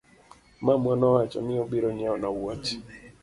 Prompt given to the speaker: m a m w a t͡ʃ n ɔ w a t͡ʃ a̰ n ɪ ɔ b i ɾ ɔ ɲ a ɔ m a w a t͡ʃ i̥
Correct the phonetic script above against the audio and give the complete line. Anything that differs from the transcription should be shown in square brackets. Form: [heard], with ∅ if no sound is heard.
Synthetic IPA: m a m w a [∅] n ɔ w a t͡ʃ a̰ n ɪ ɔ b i ɾ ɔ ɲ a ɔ [n] a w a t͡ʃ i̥